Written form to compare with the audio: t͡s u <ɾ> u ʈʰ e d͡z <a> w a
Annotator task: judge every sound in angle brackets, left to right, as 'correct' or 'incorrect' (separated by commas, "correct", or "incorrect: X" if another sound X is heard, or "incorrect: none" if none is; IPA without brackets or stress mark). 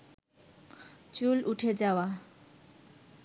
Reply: incorrect: l, correct